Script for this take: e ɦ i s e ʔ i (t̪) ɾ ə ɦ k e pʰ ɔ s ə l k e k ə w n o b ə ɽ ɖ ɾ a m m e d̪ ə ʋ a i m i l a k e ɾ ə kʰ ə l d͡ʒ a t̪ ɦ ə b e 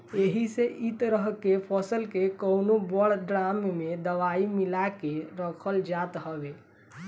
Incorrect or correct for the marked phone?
correct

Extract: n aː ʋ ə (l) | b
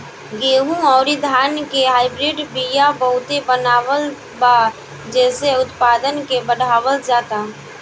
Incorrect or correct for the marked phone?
correct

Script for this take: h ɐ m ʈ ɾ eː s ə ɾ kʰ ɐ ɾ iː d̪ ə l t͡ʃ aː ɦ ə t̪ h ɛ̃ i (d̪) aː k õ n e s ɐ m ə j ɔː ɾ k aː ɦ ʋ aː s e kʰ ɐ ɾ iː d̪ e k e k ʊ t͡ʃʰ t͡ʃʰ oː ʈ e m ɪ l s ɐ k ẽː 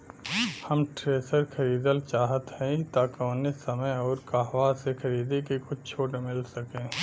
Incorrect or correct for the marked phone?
incorrect: t̪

